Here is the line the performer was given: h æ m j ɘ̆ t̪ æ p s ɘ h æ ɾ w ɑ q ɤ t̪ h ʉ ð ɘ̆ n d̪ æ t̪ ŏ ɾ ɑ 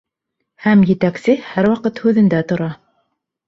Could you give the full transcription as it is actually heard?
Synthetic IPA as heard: h æ m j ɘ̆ t̪ æ k s ɘ h æ ɾ w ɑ q ɤ t̪ h ʉ ð ɘ̆ n d̪ æ t̪ ŏ ɾ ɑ